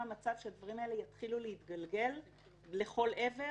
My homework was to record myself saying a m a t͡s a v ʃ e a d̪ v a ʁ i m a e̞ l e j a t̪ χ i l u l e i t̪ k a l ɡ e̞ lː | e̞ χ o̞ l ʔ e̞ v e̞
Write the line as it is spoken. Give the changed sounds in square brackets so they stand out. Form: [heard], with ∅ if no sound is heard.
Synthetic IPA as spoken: a m a t͡s a v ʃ e a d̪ v a ʁ i m a e̞ l e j a t̪ χ i l u l e i t̪ [ɡ] a l ɡ e̞ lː | e̞ χ o̞ l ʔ e̞ v e̞